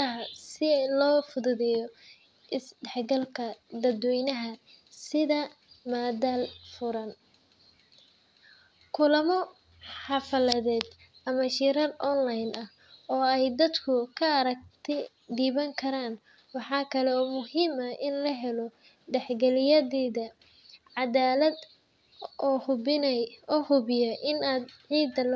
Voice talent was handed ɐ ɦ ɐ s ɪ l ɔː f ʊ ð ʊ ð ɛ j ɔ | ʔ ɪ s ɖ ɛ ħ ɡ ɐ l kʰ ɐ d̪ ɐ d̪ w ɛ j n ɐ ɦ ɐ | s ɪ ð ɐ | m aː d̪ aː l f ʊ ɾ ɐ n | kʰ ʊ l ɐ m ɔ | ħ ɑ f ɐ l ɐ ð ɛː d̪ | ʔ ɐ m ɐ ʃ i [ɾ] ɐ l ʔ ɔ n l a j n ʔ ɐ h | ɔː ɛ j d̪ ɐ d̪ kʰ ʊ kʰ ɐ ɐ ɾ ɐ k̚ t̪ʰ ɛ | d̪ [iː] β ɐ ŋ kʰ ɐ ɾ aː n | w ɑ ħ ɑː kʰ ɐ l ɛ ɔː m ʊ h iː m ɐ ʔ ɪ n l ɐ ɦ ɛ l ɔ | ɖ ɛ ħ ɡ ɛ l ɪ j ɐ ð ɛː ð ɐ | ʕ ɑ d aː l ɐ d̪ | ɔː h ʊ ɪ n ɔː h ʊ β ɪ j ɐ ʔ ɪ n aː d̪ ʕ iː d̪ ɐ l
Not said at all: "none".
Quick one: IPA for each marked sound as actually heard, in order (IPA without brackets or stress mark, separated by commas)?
ɾ, iː